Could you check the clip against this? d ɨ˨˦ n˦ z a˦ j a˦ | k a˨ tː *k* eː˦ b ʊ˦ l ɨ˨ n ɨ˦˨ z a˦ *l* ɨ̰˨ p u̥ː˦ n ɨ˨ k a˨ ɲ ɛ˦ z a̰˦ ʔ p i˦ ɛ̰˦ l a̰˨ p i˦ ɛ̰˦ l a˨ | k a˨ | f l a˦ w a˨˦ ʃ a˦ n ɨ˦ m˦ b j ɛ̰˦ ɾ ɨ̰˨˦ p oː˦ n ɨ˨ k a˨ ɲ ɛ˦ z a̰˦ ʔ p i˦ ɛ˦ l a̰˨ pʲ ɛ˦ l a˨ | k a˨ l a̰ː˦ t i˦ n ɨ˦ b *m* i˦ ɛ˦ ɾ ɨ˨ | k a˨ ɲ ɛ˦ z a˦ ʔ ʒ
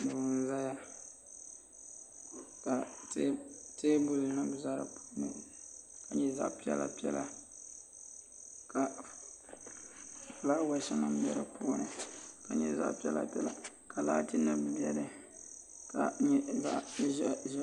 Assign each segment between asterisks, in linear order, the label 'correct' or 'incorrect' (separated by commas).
incorrect, incorrect, incorrect